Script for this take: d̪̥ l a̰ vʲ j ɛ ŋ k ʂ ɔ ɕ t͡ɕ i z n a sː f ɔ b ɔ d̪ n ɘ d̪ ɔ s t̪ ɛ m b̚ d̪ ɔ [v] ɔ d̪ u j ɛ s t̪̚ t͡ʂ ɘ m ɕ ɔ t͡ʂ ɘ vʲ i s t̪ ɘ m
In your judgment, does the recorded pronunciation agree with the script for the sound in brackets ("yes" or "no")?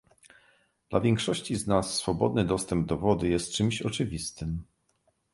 yes